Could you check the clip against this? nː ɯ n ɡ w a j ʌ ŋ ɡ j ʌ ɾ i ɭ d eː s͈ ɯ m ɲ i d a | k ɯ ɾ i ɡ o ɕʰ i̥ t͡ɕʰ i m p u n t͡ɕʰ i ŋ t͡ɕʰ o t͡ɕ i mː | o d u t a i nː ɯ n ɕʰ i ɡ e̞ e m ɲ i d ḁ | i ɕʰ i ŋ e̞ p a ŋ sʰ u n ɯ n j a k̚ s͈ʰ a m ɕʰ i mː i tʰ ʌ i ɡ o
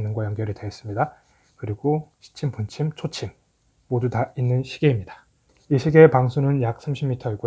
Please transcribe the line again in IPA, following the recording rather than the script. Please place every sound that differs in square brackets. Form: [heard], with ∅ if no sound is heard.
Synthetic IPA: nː ɯ n ɡ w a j ʌ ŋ ɡ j ʌ ɾ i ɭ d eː s͈ ɯ m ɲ i d a | k ɯ ɾ i ɡ o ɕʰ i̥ t͡ɕʰ i m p u n t͡ɕʰ i [m] t͡ɕʰ o [t͡ɕʰ] i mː | o d u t a i nː ɯ n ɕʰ i ɡ e̞ [i] m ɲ i d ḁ | i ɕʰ i [ɡ] e̞ p a ŋ sʰ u n ɯ n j a k̚ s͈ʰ a m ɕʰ i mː i tʰ ʌ i ɡ o